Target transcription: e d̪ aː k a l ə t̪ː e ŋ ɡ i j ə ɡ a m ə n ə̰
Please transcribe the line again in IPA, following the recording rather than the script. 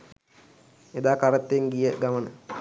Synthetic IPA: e d̪ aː k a ɾ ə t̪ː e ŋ ɡ i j ə ɡ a m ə n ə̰